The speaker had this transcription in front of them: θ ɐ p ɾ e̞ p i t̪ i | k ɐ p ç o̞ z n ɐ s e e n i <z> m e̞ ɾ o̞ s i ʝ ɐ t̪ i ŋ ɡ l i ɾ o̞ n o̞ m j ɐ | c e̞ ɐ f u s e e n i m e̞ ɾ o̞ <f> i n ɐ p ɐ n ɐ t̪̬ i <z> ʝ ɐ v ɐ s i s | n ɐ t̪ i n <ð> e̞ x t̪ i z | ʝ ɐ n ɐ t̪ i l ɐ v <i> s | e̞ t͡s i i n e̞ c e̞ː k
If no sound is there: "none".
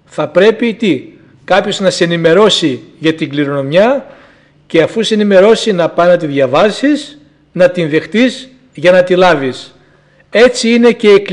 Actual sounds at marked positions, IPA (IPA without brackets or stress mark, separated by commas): none, s, ð, ð, i